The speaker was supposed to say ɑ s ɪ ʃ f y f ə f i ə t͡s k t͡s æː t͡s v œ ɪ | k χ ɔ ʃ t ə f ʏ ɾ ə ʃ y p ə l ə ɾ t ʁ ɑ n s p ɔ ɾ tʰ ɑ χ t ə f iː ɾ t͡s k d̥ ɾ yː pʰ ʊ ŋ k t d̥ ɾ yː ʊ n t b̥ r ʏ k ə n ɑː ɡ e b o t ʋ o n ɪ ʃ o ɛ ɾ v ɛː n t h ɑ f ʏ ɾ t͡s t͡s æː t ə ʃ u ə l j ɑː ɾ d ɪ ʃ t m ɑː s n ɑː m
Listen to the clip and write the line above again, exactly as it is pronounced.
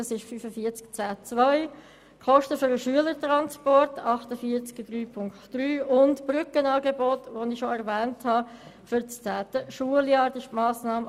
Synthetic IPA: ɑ s ɪ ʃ f y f ə f i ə t͡s k t͡s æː t͡s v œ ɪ | k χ ɔ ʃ t ə f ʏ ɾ ə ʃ y ə l ə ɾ t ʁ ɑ n s p ɔ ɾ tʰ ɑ χ t ə f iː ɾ t͡s k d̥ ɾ yː pʰ ʊ ŋ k t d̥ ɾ yː ʊ n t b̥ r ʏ k ə n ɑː ɡ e b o t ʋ o n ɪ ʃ o ɛ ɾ v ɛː n t h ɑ f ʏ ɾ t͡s t͡s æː t ə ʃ u ə l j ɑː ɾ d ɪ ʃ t m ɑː s n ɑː m